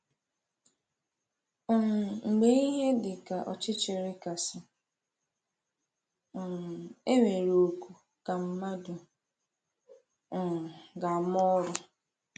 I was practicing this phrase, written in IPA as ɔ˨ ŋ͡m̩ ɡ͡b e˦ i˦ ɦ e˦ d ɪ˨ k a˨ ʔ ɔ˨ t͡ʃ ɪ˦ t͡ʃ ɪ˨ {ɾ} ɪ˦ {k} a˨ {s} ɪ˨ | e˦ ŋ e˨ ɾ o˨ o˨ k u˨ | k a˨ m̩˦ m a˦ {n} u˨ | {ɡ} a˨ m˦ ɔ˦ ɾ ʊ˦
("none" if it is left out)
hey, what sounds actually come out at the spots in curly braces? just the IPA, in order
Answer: ɾ, k, s, d, ɡ

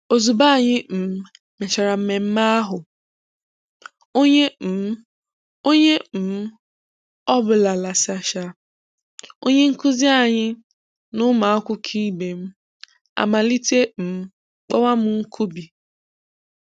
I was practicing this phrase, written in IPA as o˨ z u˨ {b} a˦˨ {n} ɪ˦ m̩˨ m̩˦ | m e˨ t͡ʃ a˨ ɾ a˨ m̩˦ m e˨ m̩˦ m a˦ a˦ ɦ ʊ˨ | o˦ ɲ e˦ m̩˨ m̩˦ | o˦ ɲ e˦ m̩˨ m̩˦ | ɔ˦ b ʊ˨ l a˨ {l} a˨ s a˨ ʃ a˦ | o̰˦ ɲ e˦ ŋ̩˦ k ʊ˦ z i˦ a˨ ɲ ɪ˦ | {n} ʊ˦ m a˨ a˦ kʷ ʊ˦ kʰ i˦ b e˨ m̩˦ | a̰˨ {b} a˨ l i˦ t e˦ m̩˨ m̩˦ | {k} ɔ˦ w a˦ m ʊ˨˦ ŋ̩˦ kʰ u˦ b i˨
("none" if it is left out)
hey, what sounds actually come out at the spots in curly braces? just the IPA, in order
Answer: b, ɲ, l, n, m, k͡p

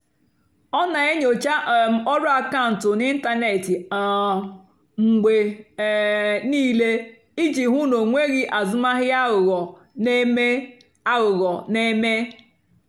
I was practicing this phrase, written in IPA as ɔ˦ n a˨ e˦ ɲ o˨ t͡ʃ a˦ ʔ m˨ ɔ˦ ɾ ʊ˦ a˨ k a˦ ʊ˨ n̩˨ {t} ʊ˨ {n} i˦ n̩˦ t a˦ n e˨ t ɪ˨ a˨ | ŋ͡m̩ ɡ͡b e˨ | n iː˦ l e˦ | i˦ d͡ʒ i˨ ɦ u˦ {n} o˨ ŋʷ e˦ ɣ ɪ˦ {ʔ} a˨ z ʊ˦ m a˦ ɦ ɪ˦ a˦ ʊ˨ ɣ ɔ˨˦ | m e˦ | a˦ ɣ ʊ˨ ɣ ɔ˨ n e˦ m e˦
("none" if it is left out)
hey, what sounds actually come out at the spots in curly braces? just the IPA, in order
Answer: t, n, n, ʔ

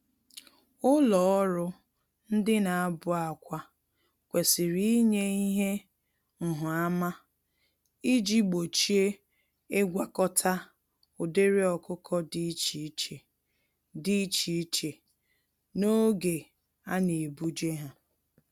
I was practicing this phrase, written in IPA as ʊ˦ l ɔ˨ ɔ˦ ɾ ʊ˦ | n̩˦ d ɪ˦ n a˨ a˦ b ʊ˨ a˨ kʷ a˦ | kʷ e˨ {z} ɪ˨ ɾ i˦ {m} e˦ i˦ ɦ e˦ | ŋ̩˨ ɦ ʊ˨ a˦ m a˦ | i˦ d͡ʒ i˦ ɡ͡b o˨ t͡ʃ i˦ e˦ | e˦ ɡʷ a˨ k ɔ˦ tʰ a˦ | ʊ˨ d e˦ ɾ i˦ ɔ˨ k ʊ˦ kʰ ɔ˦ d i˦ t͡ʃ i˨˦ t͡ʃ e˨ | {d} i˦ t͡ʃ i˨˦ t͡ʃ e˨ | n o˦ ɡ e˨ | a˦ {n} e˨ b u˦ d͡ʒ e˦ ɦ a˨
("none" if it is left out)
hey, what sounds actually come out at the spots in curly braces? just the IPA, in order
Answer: s, ɲ, d, n

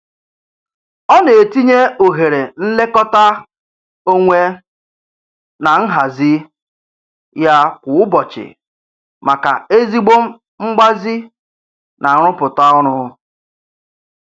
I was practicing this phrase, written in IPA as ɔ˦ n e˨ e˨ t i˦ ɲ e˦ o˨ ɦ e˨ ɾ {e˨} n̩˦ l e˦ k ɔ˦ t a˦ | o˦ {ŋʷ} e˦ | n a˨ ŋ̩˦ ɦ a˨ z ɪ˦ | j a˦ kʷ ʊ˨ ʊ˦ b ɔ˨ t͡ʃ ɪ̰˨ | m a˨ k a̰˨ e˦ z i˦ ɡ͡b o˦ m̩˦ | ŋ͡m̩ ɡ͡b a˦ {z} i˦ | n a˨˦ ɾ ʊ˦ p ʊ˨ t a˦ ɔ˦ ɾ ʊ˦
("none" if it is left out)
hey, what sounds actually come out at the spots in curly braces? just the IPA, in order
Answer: e˨, ŋʷ, z

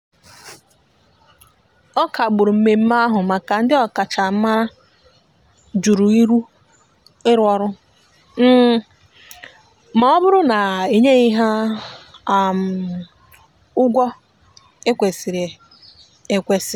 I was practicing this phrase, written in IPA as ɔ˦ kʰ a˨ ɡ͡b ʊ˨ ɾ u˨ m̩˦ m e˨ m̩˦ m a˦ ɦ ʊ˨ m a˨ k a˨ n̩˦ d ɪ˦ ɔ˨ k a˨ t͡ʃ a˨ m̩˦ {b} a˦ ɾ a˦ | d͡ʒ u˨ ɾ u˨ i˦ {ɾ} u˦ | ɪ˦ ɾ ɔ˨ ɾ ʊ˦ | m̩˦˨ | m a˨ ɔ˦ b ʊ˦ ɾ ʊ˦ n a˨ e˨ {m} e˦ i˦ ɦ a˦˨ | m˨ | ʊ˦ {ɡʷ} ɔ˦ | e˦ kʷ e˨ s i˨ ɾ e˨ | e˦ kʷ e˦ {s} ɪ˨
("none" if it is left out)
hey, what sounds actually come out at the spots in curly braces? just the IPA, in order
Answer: m, ɾ, ɲ, ɡʷ, s

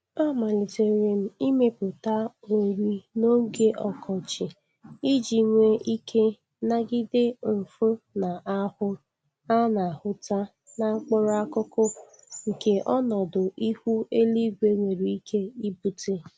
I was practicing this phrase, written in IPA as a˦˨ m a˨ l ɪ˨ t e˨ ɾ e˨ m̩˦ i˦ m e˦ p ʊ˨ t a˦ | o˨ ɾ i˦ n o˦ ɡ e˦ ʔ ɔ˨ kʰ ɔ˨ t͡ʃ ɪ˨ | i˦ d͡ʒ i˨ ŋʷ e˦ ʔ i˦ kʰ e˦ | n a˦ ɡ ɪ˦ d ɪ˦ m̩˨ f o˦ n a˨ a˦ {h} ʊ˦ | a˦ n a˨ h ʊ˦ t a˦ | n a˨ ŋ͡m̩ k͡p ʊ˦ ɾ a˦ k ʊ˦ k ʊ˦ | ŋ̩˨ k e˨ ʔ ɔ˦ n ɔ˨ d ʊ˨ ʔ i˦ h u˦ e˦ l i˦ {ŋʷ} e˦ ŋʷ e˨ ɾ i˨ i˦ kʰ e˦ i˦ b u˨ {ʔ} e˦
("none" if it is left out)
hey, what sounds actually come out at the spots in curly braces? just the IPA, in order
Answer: h, ɡʷ, t

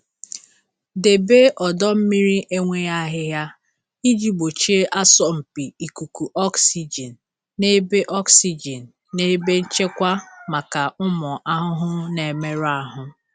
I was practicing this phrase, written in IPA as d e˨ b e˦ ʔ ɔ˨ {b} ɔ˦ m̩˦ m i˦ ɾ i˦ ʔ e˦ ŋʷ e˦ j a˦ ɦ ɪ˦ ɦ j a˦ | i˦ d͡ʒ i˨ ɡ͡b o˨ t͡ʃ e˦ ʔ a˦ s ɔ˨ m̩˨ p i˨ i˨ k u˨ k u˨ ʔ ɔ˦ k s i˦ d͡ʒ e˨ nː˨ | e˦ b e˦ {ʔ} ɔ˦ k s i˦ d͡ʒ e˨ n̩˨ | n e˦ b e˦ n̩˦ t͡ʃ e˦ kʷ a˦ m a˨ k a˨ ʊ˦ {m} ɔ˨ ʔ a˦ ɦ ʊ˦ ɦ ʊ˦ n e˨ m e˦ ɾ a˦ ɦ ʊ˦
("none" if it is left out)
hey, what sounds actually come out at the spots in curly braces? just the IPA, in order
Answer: d, ʔ, m

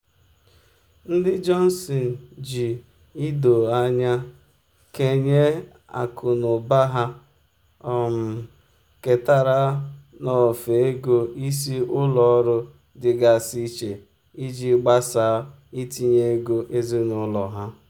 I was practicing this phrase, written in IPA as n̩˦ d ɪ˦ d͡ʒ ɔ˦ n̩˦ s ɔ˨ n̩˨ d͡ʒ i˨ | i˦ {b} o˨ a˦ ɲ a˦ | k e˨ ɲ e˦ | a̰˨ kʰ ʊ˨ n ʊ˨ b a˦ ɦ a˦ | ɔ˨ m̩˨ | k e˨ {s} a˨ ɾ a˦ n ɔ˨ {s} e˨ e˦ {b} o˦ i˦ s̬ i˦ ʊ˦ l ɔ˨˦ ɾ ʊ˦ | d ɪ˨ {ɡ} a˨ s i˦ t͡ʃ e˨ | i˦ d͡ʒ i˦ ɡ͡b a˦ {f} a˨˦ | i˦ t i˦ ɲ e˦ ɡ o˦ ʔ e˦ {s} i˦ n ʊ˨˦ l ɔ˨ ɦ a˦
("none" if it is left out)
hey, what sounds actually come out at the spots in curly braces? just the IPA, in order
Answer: d, t, f, ɡ, ɡ, s, z

